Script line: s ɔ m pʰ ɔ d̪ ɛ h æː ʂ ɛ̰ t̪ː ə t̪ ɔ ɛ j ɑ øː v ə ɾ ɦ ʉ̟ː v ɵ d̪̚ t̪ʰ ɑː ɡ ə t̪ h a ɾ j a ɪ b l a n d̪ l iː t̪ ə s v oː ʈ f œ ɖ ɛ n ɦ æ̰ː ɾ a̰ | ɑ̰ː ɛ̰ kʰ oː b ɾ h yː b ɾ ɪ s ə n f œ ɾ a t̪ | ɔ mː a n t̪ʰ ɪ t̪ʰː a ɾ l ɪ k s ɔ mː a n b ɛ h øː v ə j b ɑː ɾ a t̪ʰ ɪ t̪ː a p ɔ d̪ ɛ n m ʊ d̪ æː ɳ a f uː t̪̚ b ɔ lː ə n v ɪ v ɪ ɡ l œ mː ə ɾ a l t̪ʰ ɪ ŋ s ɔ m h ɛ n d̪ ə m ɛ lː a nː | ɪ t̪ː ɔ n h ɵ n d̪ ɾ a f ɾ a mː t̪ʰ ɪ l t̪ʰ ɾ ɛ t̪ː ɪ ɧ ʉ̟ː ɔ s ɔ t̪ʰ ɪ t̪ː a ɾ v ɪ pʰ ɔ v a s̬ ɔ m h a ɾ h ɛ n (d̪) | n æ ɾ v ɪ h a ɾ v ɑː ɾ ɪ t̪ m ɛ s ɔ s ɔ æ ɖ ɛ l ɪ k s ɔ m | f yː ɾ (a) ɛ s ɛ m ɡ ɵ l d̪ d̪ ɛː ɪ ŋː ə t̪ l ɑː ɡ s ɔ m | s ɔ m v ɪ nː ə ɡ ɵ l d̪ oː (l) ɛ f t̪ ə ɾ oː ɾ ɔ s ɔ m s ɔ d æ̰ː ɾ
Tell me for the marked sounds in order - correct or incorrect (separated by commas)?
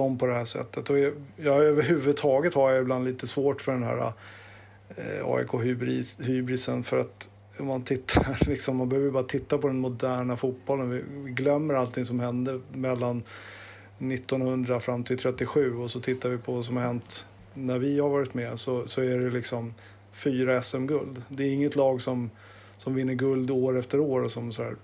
incorrect, correct, incorrect